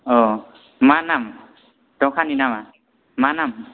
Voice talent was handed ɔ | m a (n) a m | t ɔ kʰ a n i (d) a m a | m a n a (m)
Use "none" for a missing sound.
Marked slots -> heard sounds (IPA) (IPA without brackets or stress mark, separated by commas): n, n, m